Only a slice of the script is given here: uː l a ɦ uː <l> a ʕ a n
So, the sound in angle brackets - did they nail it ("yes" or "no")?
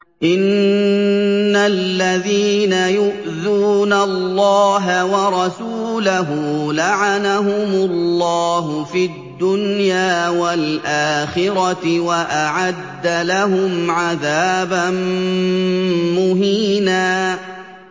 yes